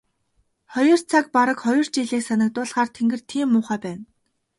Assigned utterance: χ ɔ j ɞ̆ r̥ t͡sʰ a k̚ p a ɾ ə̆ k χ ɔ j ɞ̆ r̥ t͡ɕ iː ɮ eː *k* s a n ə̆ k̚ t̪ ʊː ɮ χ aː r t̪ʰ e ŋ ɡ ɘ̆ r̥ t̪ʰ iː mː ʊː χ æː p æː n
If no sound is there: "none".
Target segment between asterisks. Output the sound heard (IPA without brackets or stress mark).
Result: k